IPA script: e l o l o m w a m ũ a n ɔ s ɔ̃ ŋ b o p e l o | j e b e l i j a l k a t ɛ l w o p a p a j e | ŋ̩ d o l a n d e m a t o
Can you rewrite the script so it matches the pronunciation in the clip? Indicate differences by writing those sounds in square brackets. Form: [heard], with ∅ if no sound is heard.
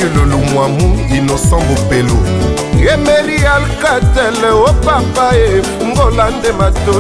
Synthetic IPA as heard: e l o l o m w a m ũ [i] n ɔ s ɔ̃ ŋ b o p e l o | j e [m] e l i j a l k a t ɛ l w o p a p a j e | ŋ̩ [ɡ] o l a n d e m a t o

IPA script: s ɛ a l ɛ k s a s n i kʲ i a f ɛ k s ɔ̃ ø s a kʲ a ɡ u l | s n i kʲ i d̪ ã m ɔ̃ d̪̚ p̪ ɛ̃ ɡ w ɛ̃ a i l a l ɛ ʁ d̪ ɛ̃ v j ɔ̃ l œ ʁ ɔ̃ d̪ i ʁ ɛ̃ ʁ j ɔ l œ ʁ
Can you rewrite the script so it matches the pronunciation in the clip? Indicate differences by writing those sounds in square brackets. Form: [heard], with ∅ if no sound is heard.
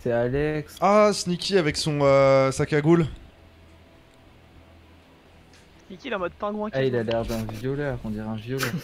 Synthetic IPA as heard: s ɛ a l ɛ k s a s n i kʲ i a [v] ɛ k s ɔ̃ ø s a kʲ a ɡ u l | s n i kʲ i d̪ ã m [ɔ] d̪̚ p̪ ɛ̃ ɡ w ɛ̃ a i l a l ɛ ʁ d̪ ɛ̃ v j [ɔ] l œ ʁ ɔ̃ d̪ i ʁ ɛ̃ [v] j ɔ l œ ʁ

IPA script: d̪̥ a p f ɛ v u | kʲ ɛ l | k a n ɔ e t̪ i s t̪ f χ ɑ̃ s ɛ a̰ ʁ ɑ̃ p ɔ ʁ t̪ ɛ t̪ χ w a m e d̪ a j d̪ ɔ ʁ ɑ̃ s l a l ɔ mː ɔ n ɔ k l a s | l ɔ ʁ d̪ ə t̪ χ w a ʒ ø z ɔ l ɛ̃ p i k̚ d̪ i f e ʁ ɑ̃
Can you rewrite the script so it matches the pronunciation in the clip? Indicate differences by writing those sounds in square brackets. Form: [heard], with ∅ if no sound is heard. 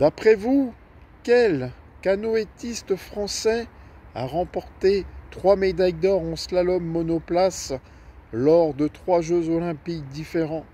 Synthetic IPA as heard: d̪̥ a p [χ] ɛ v u | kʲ ɛ l | k a n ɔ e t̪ i s t̪ f χ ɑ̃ s ɛ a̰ ʁ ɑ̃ p ɔ ʁ t̪ [e] t̪ χ w a m e d̪ a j d̪ ɔ ʁ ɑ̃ s l a l ɔ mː ɔ n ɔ [p] l a s | l ɔ ʁ d̪ ə t̪ χ w a ʒ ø z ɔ l ɛ̃ p i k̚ d̪ i f e ʁ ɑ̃

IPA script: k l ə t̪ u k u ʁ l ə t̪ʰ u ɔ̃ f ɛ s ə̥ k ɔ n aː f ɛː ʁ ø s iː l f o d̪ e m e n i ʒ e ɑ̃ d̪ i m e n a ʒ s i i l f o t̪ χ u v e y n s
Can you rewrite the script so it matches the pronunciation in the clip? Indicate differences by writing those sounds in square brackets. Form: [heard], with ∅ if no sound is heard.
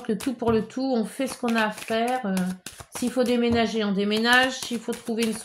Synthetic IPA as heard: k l ə t̪ u [p] u ʁ l ə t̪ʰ u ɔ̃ f ɛ s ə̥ k [ɔ̃] n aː f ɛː ʁ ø s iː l f o d̪ e m e n [a] ʒ e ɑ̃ d̪ [e] m e n a ʒ s i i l f o t̪ χ u v e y n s

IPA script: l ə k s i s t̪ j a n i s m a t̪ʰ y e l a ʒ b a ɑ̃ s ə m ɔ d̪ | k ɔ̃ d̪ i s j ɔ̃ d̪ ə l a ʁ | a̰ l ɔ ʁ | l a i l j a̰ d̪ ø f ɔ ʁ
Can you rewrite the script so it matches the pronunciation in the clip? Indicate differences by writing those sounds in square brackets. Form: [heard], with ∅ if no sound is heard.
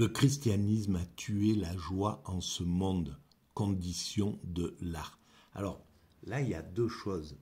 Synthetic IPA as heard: l ə k [χ] i s t̪ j a n i s m a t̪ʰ y e l a ʒ [w] a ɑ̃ s ə m [ɔ̃] d̪ | k ɔ̃ d̪ i s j ɔ̃ d̪ ə l a ʁ | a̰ l ɔ ʁ | l a i l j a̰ d̪ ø [ʃ] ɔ [z]

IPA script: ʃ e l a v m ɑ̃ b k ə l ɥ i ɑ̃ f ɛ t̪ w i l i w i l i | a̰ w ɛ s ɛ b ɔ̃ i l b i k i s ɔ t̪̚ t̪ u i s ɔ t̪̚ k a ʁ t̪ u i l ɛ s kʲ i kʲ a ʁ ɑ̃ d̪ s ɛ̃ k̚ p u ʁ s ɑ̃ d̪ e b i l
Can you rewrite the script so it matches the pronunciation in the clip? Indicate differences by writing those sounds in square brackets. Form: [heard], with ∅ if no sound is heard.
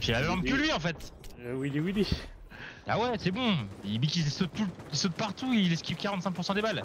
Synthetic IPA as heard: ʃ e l a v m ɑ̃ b k ə l ɥ i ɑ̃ f ɛ t̪ w i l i w i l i | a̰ w ɛ s ɛ b ɔ̃ i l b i k i s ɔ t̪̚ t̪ u i s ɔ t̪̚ [p] a ʁ t̪ u i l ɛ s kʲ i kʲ a ʁ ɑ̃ [t̪] s ɛ̃ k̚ p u ʁ s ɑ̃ d̪ e b [a] l

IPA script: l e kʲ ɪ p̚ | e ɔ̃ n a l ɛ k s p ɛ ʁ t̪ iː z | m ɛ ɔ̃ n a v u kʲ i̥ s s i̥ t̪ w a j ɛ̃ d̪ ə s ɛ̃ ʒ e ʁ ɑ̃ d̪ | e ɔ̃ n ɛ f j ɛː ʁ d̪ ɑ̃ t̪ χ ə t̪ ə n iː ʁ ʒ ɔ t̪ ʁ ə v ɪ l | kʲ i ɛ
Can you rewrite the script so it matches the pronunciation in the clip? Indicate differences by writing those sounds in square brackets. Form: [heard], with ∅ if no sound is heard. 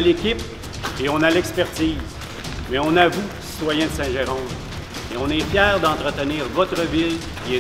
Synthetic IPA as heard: l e kʲ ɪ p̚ | e ɔ̃ n a l ɛ k s p ɛ ʁ t̪ iː z | m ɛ ɔ̃ n a v u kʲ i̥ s s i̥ t̪ w a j ɛ̃ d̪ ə s ɛ̃ ʒ e ʁ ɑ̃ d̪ | e ɔ̃ n ɛ f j ɛː ʁ d̪ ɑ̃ t̪ [ʁ] ə t̪ ə n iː ʁ [v] ɔ t̪ ʁ ə v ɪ l | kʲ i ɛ

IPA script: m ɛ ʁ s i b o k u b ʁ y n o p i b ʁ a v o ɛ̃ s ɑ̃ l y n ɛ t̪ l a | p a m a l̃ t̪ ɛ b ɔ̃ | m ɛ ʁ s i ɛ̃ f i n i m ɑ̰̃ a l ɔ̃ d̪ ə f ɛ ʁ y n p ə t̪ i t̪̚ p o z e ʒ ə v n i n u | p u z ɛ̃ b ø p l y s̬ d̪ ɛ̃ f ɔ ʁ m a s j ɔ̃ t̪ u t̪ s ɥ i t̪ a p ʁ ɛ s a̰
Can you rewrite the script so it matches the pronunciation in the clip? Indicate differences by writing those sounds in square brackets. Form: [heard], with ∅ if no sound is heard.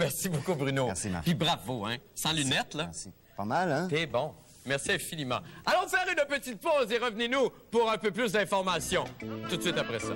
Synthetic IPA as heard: m ɛ ʁ s i b o k u b ʁ y n o p i b ʁ a v o ɛ̃ s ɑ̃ l y n ɛ t̪ l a | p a m a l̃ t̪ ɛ b ɔ̃ | m ɛ ʁ s i ɛ̃ f i n i m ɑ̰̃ a l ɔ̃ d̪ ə f ɛ ʁ y n p ə t̪ i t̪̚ p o z e [ʁ] ə v n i n u | p u [ʁ] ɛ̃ [p] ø p l y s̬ d̪ ɛ̃ f ɔ ʁ m a s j ɔ̃ t̪ u t̪ s ɥ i t̪ a p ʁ ɛ s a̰

